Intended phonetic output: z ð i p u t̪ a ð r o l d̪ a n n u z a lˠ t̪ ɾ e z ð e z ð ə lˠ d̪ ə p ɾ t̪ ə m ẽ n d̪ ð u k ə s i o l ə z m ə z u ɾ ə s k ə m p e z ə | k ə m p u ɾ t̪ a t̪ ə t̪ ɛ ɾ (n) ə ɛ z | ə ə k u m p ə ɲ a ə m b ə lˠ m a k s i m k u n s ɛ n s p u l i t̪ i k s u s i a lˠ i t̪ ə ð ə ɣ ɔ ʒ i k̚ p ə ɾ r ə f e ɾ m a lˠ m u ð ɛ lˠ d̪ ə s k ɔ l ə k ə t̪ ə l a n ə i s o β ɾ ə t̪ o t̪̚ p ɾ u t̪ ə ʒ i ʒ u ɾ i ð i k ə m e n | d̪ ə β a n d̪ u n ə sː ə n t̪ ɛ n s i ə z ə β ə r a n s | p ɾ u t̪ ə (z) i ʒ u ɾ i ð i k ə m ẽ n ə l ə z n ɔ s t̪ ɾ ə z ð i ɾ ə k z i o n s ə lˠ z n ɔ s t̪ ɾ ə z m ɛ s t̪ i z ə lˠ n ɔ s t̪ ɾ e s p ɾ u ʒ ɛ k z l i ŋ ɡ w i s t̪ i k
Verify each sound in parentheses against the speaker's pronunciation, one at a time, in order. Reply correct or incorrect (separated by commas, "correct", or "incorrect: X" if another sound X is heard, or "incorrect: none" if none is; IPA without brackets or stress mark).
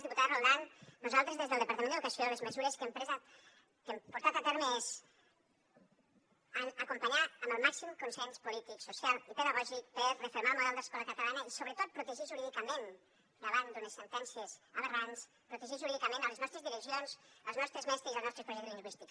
incorrect: m, incorrect: ʒ